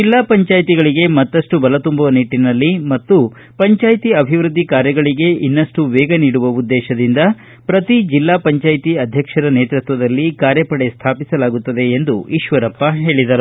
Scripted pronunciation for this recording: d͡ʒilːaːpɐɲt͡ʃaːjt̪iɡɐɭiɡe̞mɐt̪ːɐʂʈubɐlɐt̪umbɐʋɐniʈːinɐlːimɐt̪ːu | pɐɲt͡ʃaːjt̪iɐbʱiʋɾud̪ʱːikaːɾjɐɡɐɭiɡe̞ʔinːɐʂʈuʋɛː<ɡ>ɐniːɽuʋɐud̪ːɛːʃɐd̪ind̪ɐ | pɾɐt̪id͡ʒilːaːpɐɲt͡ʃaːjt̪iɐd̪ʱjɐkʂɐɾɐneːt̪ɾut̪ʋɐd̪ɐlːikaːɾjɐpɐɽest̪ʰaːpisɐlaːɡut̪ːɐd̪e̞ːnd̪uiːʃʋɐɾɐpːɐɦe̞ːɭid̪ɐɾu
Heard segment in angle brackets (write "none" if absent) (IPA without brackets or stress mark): ɡ